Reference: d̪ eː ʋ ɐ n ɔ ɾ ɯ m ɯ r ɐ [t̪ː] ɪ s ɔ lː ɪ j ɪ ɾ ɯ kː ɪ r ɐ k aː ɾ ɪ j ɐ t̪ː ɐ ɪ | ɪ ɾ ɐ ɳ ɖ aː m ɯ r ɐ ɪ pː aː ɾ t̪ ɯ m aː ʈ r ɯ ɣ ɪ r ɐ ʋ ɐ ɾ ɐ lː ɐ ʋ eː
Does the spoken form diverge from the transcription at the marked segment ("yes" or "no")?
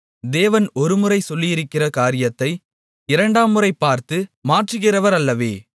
yes